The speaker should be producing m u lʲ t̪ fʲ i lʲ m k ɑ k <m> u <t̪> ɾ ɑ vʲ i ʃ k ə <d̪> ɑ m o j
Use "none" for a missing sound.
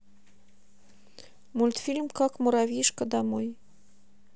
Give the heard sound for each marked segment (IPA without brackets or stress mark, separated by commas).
m, none, d̪